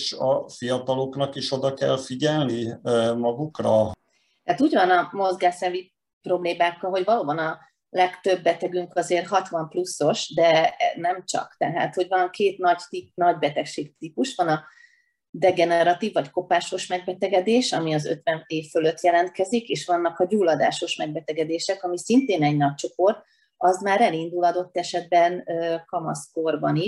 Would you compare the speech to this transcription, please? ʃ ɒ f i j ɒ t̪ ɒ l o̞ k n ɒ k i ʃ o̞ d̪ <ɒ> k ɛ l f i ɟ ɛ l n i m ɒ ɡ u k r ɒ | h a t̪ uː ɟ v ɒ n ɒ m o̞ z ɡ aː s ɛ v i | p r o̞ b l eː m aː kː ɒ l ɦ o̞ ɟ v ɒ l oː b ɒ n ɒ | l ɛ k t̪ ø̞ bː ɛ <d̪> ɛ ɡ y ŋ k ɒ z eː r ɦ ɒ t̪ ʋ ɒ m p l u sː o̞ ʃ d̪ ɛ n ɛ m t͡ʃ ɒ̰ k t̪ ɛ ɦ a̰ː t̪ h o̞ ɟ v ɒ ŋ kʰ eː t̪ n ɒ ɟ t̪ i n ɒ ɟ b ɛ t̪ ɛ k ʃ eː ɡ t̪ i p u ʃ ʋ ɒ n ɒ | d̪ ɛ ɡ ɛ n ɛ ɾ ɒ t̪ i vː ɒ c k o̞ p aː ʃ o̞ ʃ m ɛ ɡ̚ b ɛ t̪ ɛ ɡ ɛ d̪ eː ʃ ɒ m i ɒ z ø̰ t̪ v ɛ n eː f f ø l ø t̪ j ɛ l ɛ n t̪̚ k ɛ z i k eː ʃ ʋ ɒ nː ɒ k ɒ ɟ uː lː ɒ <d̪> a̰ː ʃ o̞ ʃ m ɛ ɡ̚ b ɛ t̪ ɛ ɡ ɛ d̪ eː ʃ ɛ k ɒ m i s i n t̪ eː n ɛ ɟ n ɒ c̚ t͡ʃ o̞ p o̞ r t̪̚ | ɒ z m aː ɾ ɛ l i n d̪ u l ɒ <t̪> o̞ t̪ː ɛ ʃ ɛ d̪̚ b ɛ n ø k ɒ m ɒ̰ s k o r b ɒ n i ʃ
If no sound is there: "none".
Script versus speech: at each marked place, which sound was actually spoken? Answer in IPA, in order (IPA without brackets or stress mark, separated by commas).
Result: ɒ, t̪, d̪, d̪